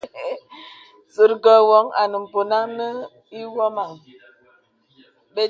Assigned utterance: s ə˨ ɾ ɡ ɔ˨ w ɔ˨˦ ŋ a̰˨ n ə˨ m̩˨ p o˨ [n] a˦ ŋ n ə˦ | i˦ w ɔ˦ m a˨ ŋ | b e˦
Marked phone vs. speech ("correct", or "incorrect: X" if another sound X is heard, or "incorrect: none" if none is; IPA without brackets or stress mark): correct